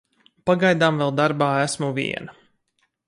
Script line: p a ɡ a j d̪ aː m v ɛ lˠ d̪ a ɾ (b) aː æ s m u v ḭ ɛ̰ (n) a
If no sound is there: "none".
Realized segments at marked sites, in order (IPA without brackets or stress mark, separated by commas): b, n